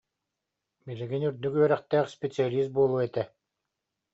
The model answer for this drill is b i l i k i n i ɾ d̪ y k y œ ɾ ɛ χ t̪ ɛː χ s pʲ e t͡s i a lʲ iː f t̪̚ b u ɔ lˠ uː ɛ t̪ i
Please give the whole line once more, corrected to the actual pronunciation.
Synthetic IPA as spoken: b i l i ɡ i n y ɾ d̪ y k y œ ɾ ɛ χ t̪ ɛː χ s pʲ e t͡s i a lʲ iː s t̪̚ b u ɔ lˠ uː ɛ t̪ ɛ